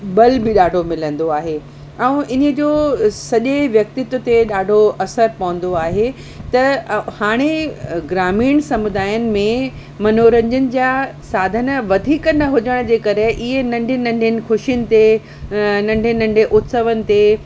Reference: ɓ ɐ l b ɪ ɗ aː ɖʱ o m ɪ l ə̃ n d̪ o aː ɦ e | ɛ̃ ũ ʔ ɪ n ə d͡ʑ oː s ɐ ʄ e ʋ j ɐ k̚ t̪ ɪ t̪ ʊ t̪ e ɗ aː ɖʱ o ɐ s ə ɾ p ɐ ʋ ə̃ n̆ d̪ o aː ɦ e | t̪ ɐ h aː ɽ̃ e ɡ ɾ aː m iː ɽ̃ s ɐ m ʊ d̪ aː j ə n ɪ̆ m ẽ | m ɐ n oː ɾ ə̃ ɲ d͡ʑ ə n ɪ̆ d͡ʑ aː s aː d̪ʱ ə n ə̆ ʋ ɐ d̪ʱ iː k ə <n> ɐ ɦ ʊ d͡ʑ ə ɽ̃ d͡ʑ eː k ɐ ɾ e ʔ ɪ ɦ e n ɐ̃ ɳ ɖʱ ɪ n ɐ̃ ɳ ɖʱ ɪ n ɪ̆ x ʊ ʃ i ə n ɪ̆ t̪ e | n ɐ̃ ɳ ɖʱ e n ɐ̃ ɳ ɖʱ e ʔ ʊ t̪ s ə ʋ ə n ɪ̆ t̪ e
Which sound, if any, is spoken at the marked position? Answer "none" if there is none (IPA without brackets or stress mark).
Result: n